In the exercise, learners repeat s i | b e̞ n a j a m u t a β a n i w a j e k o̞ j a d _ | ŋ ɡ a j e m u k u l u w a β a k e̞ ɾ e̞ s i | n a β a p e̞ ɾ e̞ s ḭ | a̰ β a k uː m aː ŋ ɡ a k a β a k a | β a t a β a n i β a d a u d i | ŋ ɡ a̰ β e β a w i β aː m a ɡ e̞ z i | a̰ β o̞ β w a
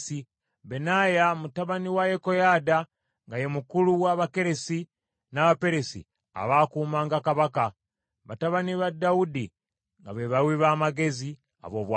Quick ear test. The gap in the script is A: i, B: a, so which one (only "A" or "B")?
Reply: B